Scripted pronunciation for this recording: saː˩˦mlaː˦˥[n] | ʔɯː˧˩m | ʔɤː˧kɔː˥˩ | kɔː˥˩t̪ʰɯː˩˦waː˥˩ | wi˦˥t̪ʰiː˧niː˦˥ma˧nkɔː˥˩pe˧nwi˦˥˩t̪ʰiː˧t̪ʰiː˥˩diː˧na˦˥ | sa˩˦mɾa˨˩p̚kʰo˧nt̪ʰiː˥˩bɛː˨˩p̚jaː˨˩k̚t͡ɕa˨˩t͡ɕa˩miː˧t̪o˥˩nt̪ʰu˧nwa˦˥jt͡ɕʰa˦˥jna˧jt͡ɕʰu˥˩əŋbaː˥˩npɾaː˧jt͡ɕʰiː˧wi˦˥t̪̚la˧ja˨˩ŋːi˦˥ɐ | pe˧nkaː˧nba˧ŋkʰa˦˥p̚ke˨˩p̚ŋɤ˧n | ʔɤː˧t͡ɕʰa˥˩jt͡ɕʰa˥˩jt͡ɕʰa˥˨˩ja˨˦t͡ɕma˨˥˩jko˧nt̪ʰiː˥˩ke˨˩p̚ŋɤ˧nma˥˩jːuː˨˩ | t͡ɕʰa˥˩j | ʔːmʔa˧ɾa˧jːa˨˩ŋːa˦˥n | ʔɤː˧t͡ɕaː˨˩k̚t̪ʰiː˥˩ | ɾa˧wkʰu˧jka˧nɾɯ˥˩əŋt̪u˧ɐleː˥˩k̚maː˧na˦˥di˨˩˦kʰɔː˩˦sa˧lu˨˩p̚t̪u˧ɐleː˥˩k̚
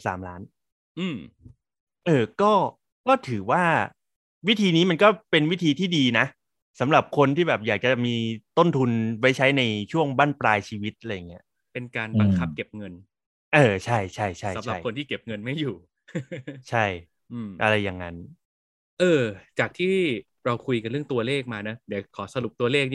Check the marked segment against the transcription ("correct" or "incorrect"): correct